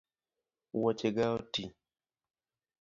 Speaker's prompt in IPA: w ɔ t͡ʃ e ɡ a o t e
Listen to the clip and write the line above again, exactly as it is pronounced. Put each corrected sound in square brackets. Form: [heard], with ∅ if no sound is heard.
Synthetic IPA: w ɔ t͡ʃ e ɡ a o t [i]